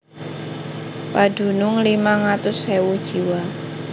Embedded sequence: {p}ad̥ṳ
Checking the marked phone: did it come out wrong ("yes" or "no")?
no